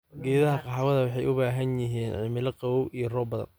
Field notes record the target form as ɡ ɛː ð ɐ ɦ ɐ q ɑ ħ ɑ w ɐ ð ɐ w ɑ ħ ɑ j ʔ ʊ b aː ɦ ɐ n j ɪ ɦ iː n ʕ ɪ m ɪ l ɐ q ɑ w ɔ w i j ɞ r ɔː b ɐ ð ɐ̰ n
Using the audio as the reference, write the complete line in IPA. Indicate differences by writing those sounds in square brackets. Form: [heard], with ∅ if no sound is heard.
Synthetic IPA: ɡ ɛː ð ɐ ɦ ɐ q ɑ ħ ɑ w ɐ ð ɐ w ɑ ħ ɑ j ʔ ʊ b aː ɦ ɐ n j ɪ ɦ iː n ʕ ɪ m ɪ l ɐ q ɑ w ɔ w i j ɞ r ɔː b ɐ ð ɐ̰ n

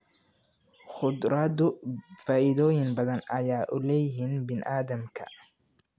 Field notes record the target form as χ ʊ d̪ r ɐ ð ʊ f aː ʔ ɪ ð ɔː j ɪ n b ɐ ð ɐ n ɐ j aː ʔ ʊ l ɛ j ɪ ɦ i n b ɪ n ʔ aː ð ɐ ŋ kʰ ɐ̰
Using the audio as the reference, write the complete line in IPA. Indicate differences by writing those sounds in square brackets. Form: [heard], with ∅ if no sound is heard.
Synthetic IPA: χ ʊ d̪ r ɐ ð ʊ f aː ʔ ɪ ð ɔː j ɪ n b ɐ ð ɐ n ɐ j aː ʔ ʊ l ɛ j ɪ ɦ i n b ɪ n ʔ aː ð ɐ [m] kʰ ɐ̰

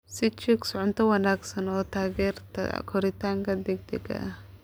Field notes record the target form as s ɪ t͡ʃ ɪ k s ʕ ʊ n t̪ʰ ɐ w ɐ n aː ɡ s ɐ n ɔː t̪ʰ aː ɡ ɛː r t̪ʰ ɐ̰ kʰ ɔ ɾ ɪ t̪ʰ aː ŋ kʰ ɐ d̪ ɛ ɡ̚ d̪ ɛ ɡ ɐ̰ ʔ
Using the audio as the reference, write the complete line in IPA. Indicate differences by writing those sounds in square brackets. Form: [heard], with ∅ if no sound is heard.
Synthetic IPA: s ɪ t͡ʃ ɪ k s ʕ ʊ n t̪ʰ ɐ w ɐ n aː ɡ s ɐ n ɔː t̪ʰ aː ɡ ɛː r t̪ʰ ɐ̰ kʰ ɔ ɾ ɪ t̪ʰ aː ŋ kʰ ɐ d̪ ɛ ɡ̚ d̪ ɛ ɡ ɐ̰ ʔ

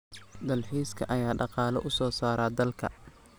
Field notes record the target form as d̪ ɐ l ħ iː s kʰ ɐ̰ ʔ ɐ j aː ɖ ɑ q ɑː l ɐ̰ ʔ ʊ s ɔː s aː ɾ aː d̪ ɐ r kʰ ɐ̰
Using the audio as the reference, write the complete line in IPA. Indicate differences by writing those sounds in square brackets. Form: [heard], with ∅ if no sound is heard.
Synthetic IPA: d̪ ɐ l ħ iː s kʰ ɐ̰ ʔ ɐ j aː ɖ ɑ q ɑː l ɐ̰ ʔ ʊ s ɔː s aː ɾ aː d̪ ɐ [l] kʰ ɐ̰

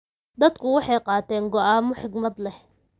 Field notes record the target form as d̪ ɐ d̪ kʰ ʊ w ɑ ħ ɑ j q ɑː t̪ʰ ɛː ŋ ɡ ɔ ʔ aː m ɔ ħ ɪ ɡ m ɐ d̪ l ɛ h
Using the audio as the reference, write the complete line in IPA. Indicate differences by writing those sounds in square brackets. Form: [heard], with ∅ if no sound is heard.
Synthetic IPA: d̪ ɐ d̪ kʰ ʊ w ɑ ħ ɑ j q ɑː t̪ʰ ɛː ŋ ɡ ɔ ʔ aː m ɔ ħ ɪ ɡ m ɐ d̪ l ɛ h

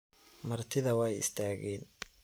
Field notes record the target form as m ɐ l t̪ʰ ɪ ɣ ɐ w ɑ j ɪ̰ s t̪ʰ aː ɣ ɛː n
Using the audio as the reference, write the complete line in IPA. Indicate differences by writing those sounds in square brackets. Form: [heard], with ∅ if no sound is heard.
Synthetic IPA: m ɐ [r] t̪ʰ ɪ [ð] ɐ w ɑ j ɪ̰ s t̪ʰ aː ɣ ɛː n

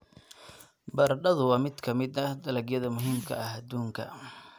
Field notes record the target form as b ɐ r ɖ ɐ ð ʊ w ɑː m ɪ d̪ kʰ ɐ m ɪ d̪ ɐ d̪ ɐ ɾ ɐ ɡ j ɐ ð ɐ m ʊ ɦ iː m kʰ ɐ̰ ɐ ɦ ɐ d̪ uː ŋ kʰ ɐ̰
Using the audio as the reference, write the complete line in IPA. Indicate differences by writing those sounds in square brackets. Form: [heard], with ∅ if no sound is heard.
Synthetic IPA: b ɐ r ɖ ɐ ð ʊ w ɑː m ɪ d̪ kʰ ɐ m ɪ d̪ ɐ d̪ ɐ [l] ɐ ɡ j ɐ ð ɐ m ʊ ɦ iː m kʰ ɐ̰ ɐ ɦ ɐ d̪ uː ŋ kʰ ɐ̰

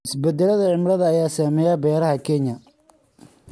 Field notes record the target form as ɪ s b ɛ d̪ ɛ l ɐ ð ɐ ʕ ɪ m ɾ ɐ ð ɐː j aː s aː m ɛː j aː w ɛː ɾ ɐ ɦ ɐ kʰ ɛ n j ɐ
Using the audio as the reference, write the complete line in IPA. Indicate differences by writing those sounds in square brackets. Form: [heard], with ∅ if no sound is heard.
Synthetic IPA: ɪ s b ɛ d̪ ɛ l ɐ ð ɐ ʕ ɪ m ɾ ɐ ð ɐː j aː s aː m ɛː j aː [b] ɛː ɾ ɐ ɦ ɐ kʰ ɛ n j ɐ

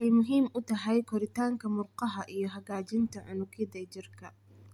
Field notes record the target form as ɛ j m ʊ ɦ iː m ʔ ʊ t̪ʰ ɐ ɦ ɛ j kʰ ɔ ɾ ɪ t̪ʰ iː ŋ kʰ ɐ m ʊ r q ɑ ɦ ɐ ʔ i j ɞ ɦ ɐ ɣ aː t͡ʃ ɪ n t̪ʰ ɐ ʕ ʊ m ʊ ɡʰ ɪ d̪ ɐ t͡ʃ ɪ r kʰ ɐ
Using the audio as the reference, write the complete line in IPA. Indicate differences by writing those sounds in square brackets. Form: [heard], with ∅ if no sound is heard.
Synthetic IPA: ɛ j m ʊ ɦ iː m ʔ ʊ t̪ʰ ɐ ɦ ɛ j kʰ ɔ ɾ ɪ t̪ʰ [aː] ŋ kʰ ɐ m ʊ r q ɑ ɦ ɐ ʔ i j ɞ ɦ ɐ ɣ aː t͡ʃ ɪ n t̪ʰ ɐ ʕ ʊ [n] ʊ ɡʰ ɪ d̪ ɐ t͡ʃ ɪ r kʰ ɐ

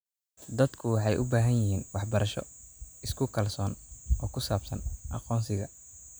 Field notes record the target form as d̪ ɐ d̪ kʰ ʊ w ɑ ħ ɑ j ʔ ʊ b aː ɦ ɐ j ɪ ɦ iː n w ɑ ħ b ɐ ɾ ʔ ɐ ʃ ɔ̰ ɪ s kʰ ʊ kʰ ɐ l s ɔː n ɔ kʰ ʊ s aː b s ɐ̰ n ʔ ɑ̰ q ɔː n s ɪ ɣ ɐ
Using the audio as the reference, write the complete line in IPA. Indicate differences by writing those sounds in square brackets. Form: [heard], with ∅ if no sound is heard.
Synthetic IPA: d̪ ɐ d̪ kʰ ʊ w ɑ ħ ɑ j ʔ ʊ b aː ɦ ɐ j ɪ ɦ iː n w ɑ ħ b ɐ ɾ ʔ ɐ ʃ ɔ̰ ɪ s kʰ ʊ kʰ ɐ l s ɔː n [ɔː] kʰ ʊ s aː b s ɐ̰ n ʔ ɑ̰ q ɔː n s ɪ ɣ ɐ

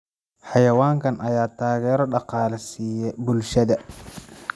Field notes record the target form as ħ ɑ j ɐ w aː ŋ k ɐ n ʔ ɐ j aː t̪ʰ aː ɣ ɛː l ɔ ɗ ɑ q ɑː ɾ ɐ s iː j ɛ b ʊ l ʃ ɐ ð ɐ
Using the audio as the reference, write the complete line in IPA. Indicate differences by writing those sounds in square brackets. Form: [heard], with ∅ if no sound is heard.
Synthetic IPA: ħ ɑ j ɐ w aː ŋ k ɐ n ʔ ɐ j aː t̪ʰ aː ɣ ɛː [ɾ] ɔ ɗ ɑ q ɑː [l] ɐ s iː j ɛ b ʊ l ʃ ɐ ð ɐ

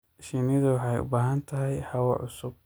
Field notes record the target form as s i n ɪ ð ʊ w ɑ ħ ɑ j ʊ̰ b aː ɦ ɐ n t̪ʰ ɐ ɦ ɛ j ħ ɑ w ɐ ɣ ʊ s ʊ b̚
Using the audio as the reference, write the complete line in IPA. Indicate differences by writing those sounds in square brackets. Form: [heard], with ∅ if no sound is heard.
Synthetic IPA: [ʃ] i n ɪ ð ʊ w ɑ ħ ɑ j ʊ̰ b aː ɦ ɐ n t̪ʰ ɐ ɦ ɛ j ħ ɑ w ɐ [ʕ] ʊ s ʊ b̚

